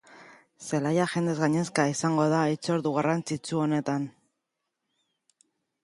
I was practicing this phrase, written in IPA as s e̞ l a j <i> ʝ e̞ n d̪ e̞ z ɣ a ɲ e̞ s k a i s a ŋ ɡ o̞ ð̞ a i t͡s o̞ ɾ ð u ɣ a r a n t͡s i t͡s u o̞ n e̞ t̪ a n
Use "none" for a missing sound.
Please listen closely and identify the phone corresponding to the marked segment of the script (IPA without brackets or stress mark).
a